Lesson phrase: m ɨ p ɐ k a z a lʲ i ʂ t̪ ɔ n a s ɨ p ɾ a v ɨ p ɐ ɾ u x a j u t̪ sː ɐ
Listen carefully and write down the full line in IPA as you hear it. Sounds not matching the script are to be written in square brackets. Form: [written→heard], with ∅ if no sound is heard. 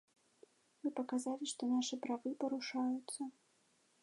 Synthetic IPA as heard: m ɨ p ɐ k a z a lʲ i ʂ t̪ ɔ n a [s→ʂ] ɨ p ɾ a v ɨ p ɐ ɾ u [x→ʂ] a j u t̪ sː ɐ